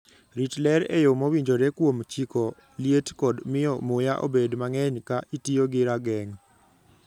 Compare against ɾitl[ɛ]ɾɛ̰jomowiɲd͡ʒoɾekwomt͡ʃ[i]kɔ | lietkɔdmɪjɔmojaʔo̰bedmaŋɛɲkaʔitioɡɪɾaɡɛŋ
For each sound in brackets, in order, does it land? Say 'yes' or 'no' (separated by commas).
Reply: yes, yes